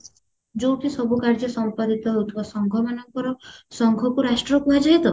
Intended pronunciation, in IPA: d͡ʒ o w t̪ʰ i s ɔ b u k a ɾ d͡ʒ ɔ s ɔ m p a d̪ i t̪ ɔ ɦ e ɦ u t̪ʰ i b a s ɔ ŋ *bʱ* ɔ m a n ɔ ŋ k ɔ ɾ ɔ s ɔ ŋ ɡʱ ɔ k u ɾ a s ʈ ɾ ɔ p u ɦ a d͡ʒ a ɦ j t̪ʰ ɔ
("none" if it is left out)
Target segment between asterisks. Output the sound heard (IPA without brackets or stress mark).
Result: ɡʱ